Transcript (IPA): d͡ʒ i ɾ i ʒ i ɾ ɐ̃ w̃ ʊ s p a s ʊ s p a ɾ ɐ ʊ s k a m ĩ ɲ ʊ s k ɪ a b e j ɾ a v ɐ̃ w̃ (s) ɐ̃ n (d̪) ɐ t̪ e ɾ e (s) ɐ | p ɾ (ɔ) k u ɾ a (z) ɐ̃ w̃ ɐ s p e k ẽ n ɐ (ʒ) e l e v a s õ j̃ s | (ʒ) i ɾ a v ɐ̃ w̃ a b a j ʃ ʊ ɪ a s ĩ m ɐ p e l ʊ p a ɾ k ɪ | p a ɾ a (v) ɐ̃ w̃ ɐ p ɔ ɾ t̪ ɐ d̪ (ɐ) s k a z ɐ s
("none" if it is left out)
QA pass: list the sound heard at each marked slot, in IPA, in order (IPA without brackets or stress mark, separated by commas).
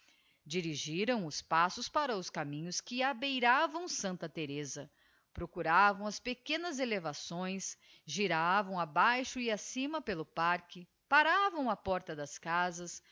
s, t̪, z, o, v, z, ʒ, v, ɐ